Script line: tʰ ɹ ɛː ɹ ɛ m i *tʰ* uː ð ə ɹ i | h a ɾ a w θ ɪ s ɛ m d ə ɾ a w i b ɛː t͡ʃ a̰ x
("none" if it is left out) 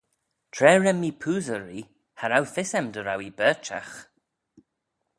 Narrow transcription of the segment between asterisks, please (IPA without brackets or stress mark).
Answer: pʰ